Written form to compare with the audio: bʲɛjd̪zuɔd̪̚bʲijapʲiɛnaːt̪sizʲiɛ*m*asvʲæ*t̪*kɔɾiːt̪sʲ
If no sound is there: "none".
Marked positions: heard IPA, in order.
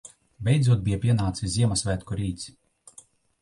m, t̪

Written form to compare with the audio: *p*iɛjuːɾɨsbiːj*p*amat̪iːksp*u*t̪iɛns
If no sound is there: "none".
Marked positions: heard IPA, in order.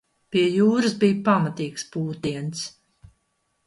p, p, uː

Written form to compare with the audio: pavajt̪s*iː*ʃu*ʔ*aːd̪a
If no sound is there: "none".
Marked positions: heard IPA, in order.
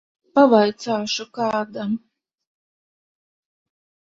aː, k

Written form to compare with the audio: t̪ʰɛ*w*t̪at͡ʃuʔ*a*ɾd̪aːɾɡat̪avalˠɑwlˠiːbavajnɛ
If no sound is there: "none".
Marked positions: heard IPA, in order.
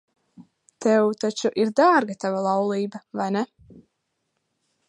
w, i

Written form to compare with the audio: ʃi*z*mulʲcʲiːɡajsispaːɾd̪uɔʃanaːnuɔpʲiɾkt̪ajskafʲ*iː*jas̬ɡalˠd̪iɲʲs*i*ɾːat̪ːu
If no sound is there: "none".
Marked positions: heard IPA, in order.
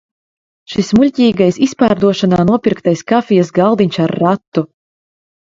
s, i, a

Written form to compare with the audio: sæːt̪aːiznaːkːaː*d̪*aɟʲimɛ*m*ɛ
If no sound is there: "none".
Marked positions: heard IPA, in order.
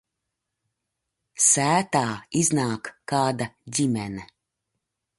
d̪, n

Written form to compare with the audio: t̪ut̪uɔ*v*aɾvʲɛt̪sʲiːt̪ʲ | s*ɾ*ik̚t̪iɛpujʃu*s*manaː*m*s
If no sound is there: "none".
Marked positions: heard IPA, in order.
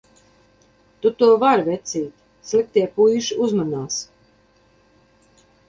v, l, z, none

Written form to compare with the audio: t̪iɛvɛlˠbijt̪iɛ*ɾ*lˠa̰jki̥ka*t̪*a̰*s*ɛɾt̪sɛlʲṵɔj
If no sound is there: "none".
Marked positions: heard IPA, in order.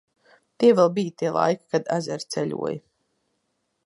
none, d̪, z

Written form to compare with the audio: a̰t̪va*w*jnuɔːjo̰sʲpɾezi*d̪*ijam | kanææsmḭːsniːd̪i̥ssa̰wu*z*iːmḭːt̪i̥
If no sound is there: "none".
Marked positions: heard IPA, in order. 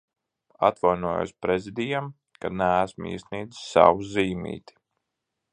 none, d̪, z

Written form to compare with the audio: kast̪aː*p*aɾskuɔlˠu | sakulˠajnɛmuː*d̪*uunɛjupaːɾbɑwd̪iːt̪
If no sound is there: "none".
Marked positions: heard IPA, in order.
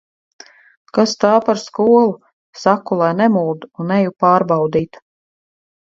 p, d̪

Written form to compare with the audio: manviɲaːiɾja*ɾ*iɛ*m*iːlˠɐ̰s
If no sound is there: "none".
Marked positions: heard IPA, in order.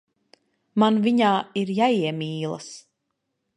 none, m

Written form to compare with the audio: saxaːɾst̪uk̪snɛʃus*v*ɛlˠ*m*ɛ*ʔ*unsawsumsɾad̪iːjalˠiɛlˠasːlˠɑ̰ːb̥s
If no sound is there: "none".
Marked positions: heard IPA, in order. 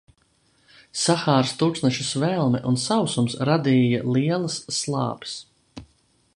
v, m, ʔ

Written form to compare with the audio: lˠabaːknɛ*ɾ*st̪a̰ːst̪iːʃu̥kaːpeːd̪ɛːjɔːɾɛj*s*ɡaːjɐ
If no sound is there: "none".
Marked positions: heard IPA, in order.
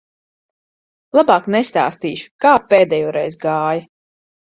none, z

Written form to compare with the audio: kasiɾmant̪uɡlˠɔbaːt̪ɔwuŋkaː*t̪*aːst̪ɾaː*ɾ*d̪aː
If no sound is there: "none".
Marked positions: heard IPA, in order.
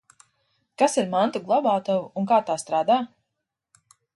t̪, none

